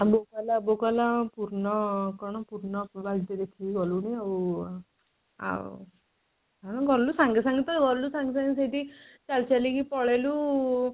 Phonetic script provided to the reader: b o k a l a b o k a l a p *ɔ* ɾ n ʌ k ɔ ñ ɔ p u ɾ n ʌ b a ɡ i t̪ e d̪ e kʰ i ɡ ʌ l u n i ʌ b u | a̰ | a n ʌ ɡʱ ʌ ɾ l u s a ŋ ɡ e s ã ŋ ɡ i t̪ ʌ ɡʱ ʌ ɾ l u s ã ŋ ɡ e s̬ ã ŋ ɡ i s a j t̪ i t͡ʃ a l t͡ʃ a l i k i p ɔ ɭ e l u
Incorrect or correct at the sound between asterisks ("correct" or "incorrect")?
incorrect